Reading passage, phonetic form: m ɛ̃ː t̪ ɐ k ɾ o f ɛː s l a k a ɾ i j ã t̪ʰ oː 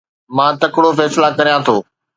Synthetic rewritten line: m ãː t̪ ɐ k ɽ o f ɛː s l a k ɐ ɾ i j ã t̪ʰ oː